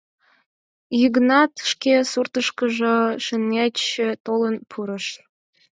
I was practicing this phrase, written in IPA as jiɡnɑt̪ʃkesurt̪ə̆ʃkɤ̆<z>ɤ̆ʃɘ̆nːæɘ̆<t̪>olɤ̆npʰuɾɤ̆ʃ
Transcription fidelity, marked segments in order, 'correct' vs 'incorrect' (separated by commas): incorrect, correct